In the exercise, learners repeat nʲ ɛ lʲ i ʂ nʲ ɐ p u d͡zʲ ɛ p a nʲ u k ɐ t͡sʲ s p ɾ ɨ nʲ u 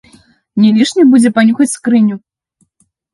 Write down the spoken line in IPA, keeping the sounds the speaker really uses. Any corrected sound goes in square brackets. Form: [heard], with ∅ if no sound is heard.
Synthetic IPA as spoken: nʲ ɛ lʲ i ʂ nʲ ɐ [b] u d͡zʲ ɛ p a nʲ u [x] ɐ t͡sʲ s [k] ɾ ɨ nʲ u